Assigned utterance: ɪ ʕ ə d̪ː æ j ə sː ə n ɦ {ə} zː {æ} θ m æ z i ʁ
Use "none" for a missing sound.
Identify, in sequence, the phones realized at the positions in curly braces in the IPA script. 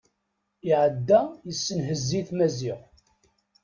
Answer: ə, i

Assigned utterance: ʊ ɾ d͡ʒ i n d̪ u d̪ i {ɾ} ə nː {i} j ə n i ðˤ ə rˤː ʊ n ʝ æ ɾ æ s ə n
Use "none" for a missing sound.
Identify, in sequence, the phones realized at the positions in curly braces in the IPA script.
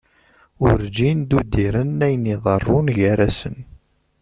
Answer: ɾ, æ

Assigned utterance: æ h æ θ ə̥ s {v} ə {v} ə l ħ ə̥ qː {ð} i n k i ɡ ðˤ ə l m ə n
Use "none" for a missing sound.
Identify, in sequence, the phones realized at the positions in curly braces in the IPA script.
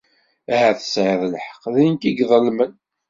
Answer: ʕ, ð, ð

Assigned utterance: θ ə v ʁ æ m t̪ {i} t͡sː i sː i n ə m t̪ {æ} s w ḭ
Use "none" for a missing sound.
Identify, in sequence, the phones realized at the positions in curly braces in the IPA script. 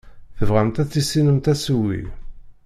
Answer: æ, æ

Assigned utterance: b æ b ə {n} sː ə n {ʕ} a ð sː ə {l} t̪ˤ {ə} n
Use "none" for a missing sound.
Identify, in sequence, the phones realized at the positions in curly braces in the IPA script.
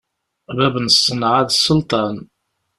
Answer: n, ʕ, l, ɑ

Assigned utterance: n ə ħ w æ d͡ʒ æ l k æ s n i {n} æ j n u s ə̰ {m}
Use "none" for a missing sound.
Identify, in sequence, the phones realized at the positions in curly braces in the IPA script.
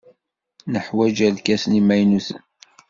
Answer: m, n

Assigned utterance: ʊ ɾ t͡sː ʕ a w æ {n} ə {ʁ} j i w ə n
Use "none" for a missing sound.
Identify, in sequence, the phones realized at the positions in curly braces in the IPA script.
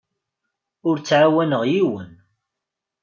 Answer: n, ʁ

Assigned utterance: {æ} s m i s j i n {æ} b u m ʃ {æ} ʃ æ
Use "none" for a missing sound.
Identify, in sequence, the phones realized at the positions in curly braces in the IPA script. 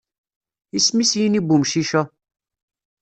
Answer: i, i, i

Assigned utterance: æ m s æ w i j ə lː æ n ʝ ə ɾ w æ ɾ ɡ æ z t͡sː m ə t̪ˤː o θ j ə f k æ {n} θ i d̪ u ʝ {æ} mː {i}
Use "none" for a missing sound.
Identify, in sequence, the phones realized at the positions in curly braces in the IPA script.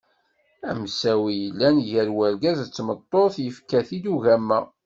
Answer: none, æ, æ

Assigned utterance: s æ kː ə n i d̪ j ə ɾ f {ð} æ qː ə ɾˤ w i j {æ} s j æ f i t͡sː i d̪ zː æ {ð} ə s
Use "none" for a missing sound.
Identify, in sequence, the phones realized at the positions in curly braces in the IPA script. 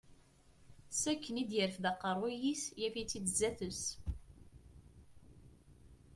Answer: ð, i, θ

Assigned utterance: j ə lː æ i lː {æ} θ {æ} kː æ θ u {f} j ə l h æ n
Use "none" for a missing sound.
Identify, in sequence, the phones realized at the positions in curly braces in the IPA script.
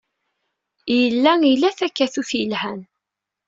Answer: æ, æ, θ

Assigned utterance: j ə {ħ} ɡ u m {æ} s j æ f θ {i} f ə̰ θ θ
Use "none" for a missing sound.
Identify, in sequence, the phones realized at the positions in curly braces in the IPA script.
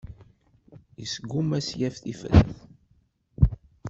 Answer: s, æ, i

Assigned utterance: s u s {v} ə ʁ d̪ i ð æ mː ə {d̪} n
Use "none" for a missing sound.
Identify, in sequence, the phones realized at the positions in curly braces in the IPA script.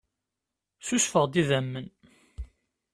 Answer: f, none

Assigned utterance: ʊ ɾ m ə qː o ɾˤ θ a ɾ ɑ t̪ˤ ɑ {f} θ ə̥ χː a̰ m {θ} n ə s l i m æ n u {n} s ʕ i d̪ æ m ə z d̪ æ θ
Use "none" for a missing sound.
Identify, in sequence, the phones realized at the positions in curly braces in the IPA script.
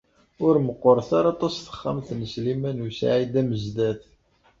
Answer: s, θ, none

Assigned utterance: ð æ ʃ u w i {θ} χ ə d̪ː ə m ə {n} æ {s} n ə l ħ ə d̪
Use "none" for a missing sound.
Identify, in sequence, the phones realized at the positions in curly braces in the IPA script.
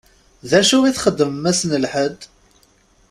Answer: θ, m, s

